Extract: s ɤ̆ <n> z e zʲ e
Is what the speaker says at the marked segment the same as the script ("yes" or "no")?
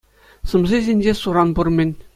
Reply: no